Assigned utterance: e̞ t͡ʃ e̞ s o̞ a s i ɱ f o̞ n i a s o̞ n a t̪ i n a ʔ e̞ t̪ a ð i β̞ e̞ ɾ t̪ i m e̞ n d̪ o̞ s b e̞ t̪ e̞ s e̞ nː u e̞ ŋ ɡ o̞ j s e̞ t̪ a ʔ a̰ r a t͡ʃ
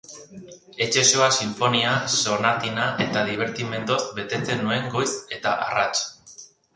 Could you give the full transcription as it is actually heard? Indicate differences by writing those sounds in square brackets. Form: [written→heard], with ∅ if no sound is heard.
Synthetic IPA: e̞ t͡ʃ e̞ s o̞ a s i ɱ f o̞ n i a s o̞ n a t̪ i n a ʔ e̞ t̪ a ð i β̞ e̞ ɾ t̪ i m e̞ n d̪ o̞ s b e̞ t̪ e̞ [s→t͡s] e̞ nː u e̞ ŋ ɡ o̞ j s e̞ t̪ a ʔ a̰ r a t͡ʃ